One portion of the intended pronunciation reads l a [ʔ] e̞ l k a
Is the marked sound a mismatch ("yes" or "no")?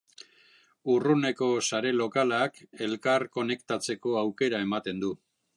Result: yes